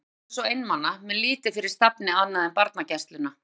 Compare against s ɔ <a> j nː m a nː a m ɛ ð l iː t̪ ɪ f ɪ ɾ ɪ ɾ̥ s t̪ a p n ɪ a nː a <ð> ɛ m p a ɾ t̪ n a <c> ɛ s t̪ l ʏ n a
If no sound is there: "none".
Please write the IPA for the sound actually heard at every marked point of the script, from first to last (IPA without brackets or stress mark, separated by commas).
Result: e, ð, c